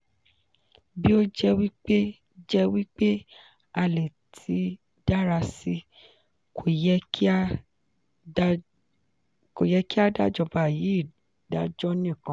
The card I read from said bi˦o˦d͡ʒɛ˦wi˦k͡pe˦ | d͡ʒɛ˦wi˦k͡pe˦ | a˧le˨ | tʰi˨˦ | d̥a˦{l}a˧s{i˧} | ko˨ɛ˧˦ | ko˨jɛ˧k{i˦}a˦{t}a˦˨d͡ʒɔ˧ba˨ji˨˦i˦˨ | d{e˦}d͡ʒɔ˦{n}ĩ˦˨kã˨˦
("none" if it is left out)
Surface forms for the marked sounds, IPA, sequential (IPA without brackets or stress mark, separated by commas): ɾ, i˧, i˦, d, a˦, n